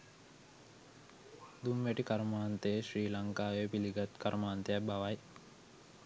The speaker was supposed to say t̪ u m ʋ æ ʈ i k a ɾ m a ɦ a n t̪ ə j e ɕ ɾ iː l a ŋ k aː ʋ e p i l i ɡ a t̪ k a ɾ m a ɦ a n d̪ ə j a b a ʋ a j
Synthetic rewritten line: d̪ u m ʋ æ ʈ i k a ɾ m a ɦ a n t̪ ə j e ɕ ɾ iː l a ŋ k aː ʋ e p i l i ɡ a t̪ k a ɾ m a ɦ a n t̪ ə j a b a ʋ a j